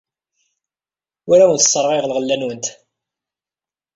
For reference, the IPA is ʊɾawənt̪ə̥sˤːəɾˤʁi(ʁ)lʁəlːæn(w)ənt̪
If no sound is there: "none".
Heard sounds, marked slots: ʁ, w

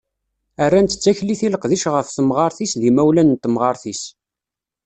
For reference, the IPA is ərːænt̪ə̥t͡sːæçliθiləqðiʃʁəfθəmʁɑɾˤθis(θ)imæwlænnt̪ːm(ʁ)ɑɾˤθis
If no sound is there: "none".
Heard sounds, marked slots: ð, ʁ

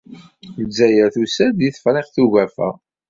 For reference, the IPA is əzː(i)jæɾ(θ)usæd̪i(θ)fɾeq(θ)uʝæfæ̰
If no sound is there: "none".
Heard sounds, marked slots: æ, θ, θ, θ

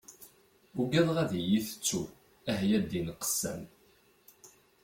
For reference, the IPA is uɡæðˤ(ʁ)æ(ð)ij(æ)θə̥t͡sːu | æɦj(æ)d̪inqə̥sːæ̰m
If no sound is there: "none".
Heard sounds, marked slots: ʁ, ð, i, æ

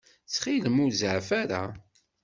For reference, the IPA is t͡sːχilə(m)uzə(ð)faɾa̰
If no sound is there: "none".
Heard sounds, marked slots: m, ʕ

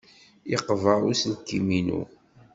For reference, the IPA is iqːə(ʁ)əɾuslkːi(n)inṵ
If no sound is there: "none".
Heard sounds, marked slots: v, m

